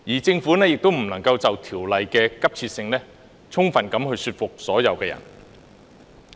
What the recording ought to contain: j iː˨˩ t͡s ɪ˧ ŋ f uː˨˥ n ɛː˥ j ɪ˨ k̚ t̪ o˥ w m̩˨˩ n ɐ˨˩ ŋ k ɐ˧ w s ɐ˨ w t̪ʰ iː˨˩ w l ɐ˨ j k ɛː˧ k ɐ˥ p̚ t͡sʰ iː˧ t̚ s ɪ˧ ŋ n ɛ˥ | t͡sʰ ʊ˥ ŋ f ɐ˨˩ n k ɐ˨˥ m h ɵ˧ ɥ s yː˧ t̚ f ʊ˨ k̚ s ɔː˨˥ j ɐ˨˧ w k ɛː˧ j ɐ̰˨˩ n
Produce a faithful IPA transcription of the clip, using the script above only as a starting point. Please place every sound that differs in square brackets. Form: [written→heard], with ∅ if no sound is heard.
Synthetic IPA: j iː˨˩ t͡s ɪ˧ ŋ f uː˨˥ n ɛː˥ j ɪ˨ k̚ t̪ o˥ w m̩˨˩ n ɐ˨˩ ŋ k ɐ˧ w [s→t͡s] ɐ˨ w t̪ʰ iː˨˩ w l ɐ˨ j k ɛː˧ k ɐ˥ p̚ t͡sʰ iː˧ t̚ s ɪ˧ ŋ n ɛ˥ | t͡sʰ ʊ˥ ŋ f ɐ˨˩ n k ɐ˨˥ m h ɵ˧ ɥ s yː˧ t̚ f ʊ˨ k̚ s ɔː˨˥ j ɐ˨˧ w k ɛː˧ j ɐ̰˨˩ n